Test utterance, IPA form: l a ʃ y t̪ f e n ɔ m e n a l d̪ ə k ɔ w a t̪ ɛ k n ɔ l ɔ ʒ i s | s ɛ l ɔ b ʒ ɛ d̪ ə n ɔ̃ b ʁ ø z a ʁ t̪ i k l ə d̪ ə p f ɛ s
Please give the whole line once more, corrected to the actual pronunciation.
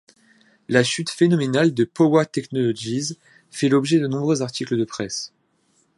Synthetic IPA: l a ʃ y t̪ f e n ɔ m e n a l d̪ ə p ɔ w a t̪ ɛ k n ɔ l ɔ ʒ i z | f ɛ l ɔ b ʒ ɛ d̪ ə n ɔ̃ b ʁ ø z a ʁ t̪ i k l ə d̪ ə p χ ɛ s